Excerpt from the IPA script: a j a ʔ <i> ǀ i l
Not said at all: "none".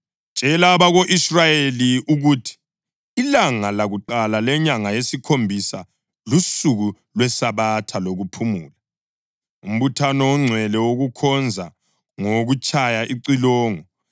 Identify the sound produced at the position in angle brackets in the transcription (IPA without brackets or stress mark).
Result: i